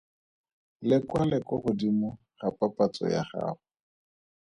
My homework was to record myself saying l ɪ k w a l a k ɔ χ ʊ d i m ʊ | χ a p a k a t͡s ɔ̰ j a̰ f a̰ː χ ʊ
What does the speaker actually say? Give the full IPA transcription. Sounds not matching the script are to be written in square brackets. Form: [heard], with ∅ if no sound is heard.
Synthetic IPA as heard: l ɪ k w a l [ɛ] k ɔ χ ʊ d i m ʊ | χ a p a [p] a t͡s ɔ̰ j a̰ [χ] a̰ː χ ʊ